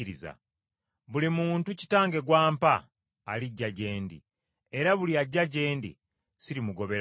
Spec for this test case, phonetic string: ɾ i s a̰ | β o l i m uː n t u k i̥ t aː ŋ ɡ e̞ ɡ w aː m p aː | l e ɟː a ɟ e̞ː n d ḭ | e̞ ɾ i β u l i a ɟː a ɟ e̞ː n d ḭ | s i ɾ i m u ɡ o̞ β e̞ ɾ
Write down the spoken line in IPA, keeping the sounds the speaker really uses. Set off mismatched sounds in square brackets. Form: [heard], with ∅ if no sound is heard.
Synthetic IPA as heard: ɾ i [z] a̰ | β [u] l i m uː n t u [c] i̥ t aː ŋ ɡ e̞ ɡ w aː m p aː | l [i] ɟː a ɟ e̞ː n d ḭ | e̞ ɾ [a] β u l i a ɟː a ɟ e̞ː n d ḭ | s i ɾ i m u ɡ o̞ β e̞ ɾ